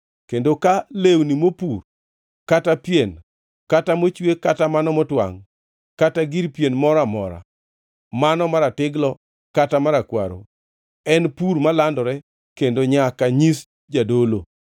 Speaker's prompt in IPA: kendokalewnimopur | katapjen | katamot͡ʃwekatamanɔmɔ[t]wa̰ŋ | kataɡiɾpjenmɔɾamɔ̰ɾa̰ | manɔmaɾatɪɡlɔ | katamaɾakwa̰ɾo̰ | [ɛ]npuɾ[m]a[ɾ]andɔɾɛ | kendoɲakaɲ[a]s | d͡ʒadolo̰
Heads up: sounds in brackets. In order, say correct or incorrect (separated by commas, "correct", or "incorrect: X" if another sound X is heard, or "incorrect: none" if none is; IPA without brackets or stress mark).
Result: correct, correct, correct, incorrect: l, incorrect: i